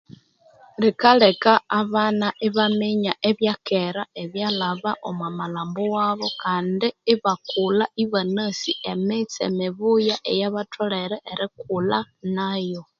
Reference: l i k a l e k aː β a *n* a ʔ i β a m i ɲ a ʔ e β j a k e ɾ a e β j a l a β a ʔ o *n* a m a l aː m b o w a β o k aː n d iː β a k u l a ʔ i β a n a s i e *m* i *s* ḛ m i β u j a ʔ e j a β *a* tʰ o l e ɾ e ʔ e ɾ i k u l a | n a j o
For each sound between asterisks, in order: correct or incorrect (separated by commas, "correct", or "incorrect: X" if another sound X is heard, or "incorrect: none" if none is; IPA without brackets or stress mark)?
correct, incorrect: m, correct, incorrect: t͡s, correct